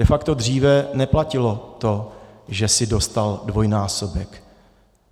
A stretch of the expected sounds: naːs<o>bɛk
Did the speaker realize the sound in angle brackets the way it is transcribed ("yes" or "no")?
yes